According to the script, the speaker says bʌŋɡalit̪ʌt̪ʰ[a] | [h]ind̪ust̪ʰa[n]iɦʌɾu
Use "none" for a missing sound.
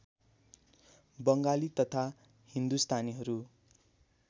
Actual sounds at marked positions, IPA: a, h, n

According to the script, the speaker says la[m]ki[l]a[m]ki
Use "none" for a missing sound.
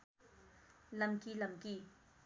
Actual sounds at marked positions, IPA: m, l, m

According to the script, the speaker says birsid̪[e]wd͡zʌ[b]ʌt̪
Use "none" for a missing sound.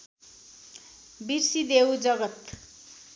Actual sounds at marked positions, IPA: e, ɡ

